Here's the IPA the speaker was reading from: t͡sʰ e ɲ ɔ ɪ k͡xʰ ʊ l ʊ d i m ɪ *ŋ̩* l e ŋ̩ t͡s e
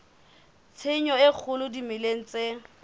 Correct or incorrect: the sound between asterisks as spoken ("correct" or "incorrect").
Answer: incorrect